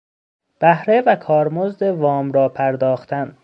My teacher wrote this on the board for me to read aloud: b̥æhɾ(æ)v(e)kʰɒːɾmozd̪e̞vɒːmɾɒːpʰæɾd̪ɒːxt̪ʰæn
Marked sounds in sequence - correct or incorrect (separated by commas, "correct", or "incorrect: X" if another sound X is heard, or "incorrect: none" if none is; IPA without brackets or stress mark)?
incorrect: e, incorrect: æ